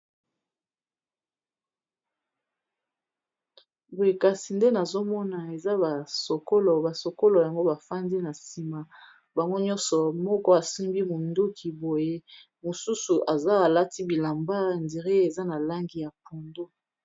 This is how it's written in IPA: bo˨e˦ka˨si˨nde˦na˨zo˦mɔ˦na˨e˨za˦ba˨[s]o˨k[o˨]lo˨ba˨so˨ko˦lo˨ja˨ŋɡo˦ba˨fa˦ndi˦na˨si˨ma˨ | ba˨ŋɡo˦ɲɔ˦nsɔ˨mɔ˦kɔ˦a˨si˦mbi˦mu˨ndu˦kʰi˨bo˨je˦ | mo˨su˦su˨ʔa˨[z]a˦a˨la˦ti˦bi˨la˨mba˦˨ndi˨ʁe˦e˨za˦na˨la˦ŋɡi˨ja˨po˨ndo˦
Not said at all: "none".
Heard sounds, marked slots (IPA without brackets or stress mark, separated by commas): s, o˦, z